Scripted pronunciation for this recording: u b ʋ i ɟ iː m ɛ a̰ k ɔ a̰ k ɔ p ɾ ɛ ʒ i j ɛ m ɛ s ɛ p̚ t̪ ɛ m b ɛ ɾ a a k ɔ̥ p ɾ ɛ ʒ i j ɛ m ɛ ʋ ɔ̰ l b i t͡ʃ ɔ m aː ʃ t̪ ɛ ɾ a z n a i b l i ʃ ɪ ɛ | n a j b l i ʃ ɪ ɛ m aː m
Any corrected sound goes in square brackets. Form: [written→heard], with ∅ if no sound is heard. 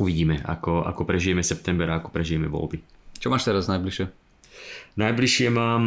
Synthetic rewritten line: u [b→∅] ʋ i ɟ iː m ɛ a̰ k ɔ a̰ k ɔ p ɾ ɛ ʒ i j ɛ m ɛ s ɛ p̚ t̪ ɛ m b ɛ ɾ a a k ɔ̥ p ɾ ɛ ʒ i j ɛ m ɛ ʋ ɔ̰ l b i t͡ʃ ɔ m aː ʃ t̪ ɛ ɾ a z n a [i→j] b l i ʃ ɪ ɛ | n a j b l i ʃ ɪ ɛ m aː m